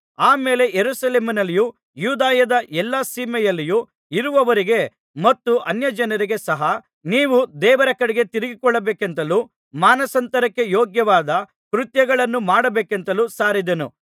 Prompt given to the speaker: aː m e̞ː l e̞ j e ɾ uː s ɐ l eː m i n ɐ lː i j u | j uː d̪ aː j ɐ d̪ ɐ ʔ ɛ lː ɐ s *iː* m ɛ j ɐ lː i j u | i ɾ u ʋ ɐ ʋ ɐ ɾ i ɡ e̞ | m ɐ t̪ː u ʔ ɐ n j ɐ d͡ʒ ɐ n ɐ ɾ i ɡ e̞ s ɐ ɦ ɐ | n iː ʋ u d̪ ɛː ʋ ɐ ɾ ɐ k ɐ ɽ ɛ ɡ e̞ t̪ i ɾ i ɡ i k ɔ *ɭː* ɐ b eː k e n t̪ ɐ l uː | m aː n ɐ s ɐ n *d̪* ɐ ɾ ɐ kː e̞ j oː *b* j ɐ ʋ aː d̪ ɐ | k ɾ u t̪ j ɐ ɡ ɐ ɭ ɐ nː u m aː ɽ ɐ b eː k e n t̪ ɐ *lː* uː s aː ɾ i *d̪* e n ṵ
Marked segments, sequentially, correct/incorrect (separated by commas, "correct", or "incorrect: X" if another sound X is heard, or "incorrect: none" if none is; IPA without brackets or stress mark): correct, correct, incorrect: t̪, incorrect: ɡ, incorrect: l, correct